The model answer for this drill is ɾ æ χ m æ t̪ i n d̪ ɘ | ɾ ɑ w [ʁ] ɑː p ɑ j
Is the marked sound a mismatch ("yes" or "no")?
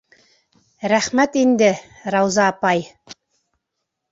yes